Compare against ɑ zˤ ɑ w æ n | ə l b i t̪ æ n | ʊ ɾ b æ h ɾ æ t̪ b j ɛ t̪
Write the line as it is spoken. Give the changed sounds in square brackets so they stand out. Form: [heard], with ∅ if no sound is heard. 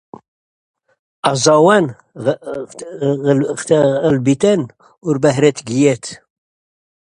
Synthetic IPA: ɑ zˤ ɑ w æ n | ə l b i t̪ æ n | ʊ ɾ b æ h ɾ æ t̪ [ɡ] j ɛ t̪